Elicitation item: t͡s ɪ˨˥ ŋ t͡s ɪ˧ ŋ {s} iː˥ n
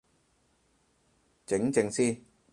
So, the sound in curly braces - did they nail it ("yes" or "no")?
yes